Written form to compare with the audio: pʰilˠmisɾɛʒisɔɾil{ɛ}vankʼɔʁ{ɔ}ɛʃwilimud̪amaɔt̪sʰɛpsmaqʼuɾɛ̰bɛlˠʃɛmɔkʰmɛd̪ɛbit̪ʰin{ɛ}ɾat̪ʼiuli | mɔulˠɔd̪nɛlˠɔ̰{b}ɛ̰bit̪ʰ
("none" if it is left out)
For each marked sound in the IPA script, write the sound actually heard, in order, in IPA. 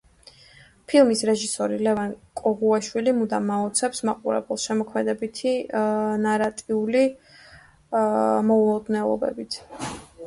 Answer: ɛ, u, a, b

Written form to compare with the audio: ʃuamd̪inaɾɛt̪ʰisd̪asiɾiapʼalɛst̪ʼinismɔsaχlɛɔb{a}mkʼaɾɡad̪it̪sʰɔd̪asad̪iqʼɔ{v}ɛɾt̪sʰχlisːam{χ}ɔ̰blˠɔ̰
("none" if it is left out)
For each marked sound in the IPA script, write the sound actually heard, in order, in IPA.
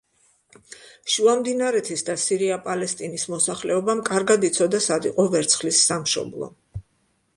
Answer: a, v, ʃ

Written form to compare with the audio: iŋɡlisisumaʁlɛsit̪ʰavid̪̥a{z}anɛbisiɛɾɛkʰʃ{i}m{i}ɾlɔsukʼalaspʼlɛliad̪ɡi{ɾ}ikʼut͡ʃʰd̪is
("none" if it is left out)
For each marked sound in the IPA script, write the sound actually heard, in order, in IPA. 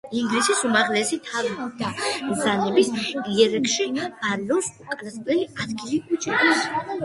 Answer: z, i, a, l

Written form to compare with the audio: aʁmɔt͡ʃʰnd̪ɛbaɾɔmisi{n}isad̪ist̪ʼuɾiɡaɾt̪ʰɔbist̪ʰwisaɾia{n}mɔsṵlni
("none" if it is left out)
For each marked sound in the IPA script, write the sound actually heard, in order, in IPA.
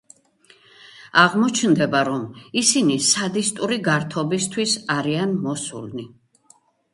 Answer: n, n

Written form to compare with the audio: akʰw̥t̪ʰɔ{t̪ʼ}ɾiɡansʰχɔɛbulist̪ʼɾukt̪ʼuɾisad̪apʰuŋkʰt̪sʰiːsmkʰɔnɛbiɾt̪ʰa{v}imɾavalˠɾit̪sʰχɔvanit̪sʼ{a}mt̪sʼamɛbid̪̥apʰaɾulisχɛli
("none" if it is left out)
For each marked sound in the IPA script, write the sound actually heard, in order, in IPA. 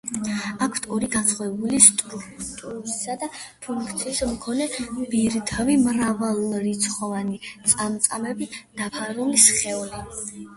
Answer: none, v, a

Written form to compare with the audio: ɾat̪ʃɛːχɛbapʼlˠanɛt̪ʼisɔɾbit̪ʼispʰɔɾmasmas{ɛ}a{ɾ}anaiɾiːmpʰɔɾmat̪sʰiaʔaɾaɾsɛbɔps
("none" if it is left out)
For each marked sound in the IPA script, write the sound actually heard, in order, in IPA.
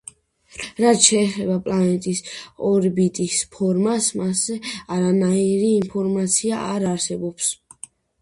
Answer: ɛ, ɾ

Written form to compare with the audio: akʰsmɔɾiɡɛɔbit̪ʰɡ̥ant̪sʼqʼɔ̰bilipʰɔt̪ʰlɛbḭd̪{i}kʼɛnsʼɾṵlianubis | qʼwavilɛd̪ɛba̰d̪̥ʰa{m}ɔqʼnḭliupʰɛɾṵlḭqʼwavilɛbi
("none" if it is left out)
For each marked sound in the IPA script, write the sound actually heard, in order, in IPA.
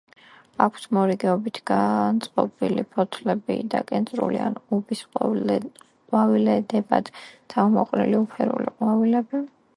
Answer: a, m

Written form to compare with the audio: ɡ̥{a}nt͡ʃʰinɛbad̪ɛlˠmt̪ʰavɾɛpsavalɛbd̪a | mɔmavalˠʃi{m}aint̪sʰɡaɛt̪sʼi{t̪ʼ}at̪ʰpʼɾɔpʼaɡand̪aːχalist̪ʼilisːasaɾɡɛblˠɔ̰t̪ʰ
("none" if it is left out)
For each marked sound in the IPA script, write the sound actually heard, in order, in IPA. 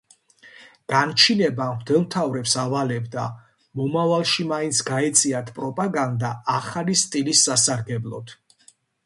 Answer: a, m, none

